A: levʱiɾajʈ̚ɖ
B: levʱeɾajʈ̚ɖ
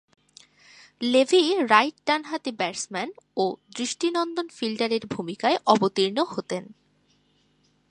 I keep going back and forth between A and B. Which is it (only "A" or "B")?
A